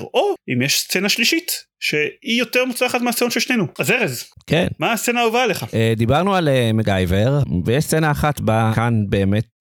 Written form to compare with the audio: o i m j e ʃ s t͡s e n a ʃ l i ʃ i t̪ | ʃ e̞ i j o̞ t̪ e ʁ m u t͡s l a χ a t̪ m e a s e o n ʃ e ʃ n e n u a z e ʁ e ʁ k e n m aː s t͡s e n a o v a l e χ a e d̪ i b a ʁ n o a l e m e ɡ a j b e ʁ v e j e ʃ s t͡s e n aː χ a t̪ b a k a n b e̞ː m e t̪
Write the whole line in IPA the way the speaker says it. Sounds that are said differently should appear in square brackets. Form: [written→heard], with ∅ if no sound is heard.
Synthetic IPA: o i m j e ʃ s t͡s e n a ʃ l i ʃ i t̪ | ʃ e̞ i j o̞ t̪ e ʁ m u t͡s l a χ a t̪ m e a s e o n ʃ e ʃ n e n u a z e ʁ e [ʁ→z] k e n m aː s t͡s e n a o v a l e χ a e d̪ i b a ʁ n [o→u] a l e m e ɡ a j [b→v] e ʁ v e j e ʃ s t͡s e n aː χ a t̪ b a k a n b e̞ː m e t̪